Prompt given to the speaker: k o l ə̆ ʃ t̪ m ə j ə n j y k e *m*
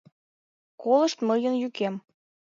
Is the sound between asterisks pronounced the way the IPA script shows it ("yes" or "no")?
yes